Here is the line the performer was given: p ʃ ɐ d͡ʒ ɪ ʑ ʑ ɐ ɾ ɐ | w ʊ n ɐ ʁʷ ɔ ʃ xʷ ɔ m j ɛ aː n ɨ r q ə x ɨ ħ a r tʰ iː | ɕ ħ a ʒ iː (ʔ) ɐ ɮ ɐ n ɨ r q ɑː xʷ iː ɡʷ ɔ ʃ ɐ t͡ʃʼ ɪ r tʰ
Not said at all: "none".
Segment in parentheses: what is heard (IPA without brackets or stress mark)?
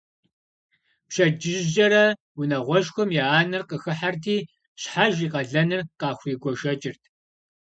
q